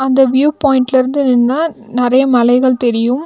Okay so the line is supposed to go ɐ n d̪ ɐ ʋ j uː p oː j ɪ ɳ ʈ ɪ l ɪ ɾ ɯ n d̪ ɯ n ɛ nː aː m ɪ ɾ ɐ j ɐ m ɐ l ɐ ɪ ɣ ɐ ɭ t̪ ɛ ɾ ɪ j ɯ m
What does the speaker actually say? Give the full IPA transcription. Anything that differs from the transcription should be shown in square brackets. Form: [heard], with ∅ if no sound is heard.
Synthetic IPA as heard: ɐ n d̪ ɐ ʋ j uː p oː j ɪ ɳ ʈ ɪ l ɪ ɾ ɯ n d̪ ɯ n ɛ nː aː [n] ɪ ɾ ɐ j ɐ m ɐ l ɐ ɪ ɣ ɐ ɭ t̪ ɛ ɾ ɪ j ɯ m